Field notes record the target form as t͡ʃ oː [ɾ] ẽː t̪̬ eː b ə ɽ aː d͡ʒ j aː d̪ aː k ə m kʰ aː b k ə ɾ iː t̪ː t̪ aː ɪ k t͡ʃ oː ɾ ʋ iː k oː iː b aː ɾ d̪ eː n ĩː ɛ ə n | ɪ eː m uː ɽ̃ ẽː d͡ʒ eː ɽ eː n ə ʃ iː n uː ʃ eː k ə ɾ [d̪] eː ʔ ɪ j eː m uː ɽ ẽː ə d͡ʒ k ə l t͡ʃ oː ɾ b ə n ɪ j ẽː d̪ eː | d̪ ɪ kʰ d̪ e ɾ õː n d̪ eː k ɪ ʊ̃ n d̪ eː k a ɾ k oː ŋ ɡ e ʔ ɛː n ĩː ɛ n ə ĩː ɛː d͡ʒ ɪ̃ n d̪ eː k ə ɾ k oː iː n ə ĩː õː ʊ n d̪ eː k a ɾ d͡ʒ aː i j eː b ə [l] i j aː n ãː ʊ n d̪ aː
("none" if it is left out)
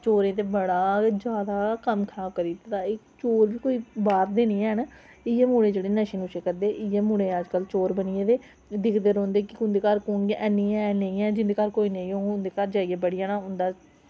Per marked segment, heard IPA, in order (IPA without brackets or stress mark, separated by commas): ɾ, d̪, ɽ